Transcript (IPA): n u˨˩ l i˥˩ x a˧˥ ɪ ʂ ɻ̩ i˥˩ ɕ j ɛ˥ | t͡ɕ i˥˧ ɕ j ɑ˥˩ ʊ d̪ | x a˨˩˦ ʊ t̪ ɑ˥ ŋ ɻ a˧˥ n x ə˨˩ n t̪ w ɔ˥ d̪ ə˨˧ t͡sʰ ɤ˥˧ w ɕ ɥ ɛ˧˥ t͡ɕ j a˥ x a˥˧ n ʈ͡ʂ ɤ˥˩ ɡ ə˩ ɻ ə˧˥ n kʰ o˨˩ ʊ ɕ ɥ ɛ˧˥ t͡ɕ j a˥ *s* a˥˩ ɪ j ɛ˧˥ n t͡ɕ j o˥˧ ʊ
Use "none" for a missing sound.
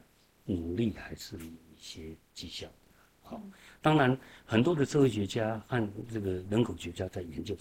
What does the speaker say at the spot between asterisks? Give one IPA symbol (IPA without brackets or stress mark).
t͡s